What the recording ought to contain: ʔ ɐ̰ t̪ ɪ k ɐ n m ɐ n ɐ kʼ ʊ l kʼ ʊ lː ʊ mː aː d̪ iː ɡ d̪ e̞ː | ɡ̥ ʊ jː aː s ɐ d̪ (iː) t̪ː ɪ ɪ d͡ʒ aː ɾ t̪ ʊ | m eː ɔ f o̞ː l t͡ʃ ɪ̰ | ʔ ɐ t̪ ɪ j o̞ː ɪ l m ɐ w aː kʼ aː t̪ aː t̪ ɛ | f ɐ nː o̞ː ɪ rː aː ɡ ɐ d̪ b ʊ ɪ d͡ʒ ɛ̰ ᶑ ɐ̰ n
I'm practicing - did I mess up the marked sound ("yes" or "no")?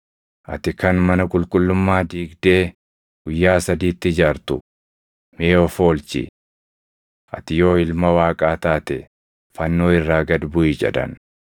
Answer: no